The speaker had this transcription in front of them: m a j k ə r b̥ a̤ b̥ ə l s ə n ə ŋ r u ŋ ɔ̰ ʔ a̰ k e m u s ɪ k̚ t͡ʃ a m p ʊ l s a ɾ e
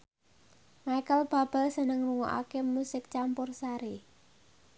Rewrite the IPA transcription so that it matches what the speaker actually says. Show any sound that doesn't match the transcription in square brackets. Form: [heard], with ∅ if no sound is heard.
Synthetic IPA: m a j k ə [l] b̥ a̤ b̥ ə l s ə n ə ŋ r u ŋ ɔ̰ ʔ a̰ k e m u s ɪ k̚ t͡ʃ a m p ʊ [r] s a ɾ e